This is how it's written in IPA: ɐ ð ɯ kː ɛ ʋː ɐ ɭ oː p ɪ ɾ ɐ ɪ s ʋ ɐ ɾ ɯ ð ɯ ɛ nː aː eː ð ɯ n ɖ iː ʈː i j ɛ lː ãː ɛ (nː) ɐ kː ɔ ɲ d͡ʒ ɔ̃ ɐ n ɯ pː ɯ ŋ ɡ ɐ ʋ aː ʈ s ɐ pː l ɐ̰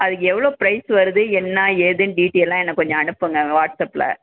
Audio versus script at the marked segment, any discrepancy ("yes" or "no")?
no